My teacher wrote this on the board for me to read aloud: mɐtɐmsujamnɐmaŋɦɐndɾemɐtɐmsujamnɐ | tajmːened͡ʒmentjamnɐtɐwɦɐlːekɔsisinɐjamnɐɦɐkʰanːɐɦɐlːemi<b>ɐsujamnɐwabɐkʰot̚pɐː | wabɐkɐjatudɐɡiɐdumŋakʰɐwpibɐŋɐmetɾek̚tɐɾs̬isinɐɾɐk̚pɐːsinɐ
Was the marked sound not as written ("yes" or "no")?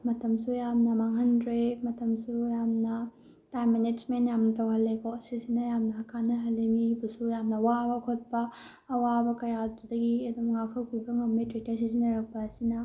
no